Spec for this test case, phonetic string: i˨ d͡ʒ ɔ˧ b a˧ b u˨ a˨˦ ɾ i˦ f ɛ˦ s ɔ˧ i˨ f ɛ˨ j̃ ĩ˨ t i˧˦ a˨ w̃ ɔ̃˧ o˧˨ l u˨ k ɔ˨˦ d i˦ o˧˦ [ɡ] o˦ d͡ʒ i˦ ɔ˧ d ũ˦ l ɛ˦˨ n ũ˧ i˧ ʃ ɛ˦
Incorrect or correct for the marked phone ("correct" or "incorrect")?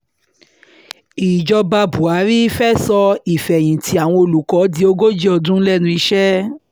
correct